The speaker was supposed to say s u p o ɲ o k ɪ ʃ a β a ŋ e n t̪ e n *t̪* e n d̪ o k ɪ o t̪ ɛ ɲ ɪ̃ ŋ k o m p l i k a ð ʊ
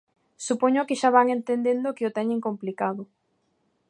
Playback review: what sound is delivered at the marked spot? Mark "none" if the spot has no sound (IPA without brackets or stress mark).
d̪